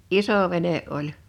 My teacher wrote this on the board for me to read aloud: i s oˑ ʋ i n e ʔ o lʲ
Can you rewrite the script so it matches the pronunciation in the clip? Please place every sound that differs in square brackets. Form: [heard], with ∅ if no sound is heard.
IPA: i s oˑ ʋ [e] n e ʔ o lʲ